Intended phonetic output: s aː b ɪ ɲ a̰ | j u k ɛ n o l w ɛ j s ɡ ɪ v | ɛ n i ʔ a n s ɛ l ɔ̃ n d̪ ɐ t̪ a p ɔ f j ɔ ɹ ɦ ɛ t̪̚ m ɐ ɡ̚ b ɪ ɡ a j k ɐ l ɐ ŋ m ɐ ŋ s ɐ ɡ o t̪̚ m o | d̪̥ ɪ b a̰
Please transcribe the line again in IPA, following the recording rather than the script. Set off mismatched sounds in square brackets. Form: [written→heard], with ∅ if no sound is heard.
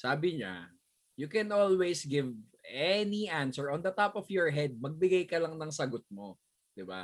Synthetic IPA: s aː b ɪ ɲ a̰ | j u k ɛ n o l w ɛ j s ɡ ɪ v | ɛ n i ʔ a n s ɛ [l→ɹ] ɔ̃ n d̪ ɐ t̪ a p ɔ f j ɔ ɹ ɦ ɛ [t̪̚→d̪̚] m ɐ ɡ̚ b ɪ ɡ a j k ɐ l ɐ ŋ [m→n] ɐ ŋ s ɐ ɡ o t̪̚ m o | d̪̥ ɪ b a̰